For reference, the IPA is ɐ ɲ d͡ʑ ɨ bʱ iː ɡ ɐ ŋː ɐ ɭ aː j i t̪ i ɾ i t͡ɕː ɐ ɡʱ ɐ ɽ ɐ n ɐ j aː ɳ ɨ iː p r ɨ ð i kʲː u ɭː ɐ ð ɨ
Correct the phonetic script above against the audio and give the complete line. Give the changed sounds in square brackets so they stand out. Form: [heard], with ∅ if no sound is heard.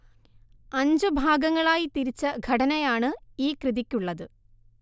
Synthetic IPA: ɐ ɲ d͡ʑ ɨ bʱ [aː] ɡ ɐ ŋː ɐ ɭ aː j i t̪ i ɾ i t͡ɕː ɐ ɡʱ ɐ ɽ ɐ n ɐ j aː ɳ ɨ iː [k] r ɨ ð i kʲː u ɭː ɐ ð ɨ